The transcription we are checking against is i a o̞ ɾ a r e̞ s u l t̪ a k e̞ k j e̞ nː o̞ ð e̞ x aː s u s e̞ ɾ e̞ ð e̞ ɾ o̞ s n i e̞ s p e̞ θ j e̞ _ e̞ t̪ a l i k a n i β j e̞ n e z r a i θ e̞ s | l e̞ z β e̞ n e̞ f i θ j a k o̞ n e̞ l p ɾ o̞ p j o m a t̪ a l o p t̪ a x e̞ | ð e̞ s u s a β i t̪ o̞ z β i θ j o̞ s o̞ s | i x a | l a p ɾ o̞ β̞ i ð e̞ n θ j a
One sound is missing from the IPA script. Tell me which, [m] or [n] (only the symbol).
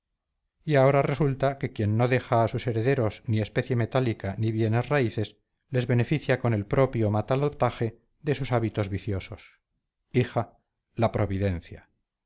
m